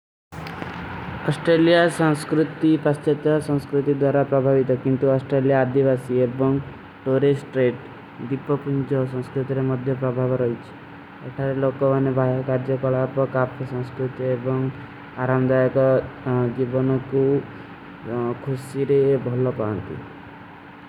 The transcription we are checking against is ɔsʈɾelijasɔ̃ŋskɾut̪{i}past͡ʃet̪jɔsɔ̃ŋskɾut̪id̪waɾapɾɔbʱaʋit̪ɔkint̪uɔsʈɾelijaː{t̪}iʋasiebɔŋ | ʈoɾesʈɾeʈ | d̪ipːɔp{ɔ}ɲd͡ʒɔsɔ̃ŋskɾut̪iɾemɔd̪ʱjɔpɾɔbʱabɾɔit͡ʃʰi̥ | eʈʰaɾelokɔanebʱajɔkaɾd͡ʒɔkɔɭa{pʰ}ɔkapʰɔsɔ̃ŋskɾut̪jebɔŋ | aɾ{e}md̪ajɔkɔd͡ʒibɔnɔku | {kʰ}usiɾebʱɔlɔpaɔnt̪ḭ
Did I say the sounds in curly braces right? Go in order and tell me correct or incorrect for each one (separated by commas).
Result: correct, incorrect, incorrect, incorrect, incorrect, correct